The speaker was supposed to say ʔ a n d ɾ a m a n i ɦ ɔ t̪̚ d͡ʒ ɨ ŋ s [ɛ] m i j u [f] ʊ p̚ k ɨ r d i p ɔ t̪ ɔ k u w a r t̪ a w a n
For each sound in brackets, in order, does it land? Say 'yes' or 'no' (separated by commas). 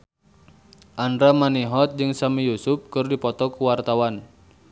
no, no